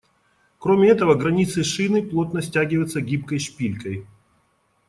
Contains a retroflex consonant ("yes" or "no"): yes